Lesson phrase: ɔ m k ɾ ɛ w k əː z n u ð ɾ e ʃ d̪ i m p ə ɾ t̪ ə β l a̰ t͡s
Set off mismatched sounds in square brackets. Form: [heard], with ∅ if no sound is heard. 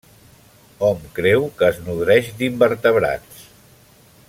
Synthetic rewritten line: ɔ m k ɾ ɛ w k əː z n u ð ɾ [ɛ] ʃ d̪ i m [b] ə ɾ t̪ ə β [ɾ] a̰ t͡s